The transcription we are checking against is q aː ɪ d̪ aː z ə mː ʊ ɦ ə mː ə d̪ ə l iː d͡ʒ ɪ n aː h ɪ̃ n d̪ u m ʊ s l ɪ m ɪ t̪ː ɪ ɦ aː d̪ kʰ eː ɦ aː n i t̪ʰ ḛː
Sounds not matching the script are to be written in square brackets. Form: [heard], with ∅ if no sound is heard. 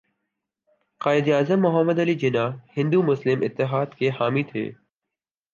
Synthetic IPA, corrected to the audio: q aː ɪ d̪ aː z ə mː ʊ ɦ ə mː ə d̪ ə l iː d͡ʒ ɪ n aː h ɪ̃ n d̪ u m ʊ s l ɪ m ɪ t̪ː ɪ ɦ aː d̪ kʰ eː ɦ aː [m] i t̪ʰ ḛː

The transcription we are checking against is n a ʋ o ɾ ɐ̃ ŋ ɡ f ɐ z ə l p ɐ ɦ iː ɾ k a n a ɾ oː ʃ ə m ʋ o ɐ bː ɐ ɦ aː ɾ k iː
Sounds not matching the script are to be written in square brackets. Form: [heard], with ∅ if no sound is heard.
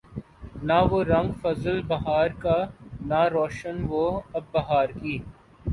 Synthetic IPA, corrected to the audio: n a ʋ o ɾ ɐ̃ ŋ ɡ f ɐ z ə l [b] ɐ ɦ [aː] ɾ k a n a ɾ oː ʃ ə [n] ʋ o ɐ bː ɐ ɦ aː ɾ k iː

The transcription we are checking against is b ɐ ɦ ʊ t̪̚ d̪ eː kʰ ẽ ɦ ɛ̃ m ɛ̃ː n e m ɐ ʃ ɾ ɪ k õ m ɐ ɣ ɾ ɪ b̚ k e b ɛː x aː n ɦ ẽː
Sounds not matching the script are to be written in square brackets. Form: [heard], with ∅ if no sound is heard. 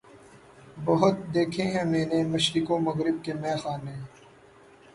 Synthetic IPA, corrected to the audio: b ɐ ɦ ʊ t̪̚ d̪ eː kʰ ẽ ɦ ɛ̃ m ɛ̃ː n e m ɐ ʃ ɾ ɪ k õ m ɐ ɣ ɾ ɪ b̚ k e [m] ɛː x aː n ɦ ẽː

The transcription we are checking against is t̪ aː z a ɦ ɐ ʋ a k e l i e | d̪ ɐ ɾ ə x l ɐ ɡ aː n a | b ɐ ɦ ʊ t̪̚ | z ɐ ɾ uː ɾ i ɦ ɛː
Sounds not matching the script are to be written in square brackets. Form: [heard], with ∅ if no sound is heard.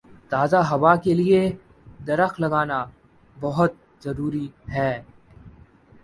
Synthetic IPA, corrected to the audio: t̪ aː z a ɦ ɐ ʋ a k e l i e | d̪ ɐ ɾ ə x l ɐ ɡ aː n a | b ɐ ɦ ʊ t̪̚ | z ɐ ɾ uː ɾ i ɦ ɛː

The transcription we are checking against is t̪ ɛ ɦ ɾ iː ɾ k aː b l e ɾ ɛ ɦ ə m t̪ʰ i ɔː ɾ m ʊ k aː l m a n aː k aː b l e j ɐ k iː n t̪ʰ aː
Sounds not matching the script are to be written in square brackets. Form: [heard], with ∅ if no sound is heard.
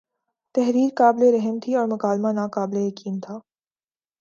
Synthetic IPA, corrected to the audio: t̪ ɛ ɦ ɾ iː ɾ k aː b l e ɾ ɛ ɦ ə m t̪ʰ i ɔː ɾ m ʊ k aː l m a n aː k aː b l e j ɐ k iː n t̪ʰ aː

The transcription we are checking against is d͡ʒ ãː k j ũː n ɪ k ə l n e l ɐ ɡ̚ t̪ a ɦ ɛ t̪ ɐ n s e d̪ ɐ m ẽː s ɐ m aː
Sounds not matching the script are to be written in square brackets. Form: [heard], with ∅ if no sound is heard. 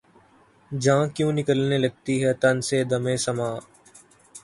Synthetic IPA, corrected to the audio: d͡ʒ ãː k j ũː n ɪ k ə l n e l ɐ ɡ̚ t̪ [i] ɦ ɛ t̪ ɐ n s e d̪ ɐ m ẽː s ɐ m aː

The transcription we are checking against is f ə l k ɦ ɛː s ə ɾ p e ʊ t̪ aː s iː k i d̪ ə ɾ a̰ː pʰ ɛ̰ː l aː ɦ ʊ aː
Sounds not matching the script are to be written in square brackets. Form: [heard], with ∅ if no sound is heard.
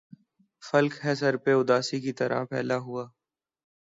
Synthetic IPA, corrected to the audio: f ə l k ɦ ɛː s ə ɾ p e ʊ [d̪] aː s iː k i [t̪] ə ɾ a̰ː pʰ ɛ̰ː l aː ɦ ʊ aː

